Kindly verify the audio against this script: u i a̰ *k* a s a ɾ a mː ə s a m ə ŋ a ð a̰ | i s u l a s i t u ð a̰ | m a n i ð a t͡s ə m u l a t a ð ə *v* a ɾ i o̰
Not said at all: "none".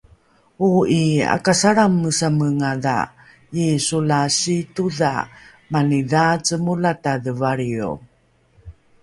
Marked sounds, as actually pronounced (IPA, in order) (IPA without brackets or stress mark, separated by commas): k, v